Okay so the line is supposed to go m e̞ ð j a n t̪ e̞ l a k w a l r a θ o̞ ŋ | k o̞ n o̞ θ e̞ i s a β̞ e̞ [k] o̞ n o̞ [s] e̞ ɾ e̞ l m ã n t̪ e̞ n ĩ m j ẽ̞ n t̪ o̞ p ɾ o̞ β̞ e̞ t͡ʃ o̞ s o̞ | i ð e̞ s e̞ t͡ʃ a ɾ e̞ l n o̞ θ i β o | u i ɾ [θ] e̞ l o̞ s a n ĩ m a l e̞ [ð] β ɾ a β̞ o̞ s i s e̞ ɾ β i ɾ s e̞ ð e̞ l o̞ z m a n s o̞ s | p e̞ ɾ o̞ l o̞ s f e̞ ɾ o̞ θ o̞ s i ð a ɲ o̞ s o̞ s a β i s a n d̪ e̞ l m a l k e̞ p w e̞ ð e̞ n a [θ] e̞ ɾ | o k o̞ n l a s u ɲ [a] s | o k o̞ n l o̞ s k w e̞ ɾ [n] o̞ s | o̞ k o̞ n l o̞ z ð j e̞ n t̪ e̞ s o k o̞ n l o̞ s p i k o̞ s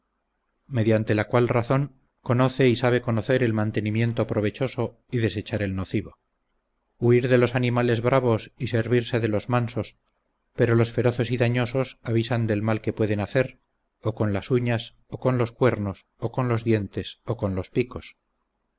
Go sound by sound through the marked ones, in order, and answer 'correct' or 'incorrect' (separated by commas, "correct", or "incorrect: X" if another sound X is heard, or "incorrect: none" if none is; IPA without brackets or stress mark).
correct, incorrect: θ, incorrect: ð, incorrect: z, correct, correct, correct